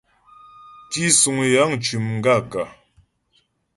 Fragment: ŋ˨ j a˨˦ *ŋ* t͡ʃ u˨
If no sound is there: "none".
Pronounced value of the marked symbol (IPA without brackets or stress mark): ŋ